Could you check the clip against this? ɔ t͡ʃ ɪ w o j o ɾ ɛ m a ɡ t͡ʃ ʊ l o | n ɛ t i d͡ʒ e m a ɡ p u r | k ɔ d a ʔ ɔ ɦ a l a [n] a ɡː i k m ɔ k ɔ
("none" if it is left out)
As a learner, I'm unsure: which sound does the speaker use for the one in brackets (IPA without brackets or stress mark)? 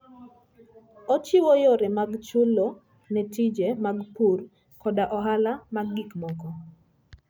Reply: m